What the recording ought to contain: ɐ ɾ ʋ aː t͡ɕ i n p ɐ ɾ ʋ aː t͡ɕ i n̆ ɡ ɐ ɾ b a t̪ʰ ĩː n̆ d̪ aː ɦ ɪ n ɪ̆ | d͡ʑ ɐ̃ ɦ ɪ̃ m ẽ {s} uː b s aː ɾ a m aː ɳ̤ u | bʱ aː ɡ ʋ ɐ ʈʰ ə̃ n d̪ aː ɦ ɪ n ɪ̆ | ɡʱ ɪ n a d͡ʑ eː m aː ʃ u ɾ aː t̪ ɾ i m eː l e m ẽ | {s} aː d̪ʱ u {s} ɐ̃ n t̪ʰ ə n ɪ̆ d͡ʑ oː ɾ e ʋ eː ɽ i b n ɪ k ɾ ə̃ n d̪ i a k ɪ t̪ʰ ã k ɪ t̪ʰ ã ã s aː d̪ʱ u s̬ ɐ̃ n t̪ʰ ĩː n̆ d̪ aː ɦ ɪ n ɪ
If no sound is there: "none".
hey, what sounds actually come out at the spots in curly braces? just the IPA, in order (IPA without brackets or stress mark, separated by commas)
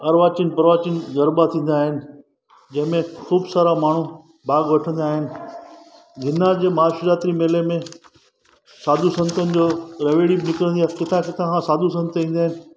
x, s, s